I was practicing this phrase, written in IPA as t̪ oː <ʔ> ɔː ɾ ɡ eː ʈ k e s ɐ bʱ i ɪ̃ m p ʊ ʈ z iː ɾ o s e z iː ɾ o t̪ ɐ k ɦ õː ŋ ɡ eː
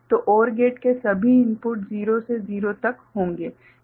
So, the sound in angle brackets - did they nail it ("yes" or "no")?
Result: yes